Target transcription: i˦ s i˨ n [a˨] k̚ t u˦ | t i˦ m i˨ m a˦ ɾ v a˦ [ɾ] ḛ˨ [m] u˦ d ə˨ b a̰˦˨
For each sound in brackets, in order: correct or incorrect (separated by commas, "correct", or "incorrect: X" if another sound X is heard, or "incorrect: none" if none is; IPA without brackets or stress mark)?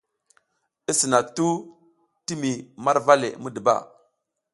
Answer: correct, incorrect: l, correct